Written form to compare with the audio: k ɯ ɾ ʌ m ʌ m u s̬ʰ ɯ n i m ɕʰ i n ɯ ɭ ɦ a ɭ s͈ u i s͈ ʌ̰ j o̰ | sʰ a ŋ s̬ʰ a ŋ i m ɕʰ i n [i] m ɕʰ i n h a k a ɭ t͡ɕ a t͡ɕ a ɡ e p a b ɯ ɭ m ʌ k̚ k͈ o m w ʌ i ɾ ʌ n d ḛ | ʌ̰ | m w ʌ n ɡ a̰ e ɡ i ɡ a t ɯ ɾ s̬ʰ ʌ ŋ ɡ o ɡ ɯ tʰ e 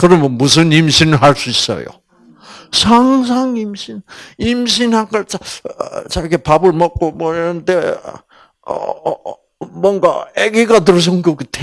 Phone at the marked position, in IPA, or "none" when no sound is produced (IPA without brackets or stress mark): i